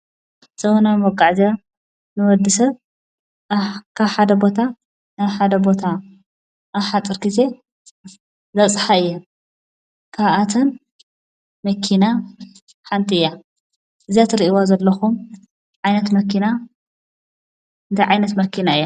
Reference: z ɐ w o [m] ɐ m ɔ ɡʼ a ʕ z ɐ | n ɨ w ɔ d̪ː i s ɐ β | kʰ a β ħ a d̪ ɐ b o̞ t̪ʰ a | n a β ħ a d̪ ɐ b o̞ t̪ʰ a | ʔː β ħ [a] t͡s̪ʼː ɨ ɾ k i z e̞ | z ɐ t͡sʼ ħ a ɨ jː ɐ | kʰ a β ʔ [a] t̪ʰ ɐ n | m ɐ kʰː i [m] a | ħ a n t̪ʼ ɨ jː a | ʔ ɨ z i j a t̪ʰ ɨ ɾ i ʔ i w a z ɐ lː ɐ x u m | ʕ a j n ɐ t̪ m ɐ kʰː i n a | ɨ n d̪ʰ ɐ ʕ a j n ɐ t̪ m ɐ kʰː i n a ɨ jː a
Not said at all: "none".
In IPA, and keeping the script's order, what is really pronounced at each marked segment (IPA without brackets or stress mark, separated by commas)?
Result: n, a, a, n